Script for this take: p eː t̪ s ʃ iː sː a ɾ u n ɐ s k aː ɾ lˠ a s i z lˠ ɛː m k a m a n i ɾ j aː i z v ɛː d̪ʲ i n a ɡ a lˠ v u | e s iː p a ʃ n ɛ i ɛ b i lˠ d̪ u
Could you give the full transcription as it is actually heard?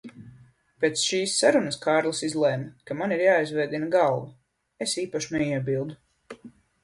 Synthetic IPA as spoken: p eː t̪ s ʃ iː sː a ɾ u n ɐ s k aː ɾ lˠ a s i z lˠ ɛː m k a m a n i ɾ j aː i z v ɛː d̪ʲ i n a ɡ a lˠ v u | e s iː p a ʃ n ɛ i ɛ b i lˠ d̪ u